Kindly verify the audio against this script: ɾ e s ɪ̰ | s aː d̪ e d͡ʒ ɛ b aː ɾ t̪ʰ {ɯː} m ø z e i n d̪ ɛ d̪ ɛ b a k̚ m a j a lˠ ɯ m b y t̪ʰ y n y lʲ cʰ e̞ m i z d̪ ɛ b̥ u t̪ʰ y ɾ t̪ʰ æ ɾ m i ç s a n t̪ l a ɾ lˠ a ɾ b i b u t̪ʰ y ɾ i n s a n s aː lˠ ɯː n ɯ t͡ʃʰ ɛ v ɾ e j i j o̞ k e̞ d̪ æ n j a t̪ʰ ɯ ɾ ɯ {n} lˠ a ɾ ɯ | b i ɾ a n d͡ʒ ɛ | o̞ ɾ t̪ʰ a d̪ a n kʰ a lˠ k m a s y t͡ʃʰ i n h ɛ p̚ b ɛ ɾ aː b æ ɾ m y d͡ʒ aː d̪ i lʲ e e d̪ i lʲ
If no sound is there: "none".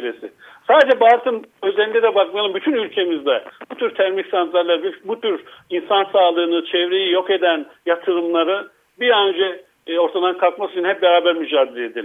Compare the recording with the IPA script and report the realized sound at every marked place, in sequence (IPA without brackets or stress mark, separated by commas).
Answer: ɯ, m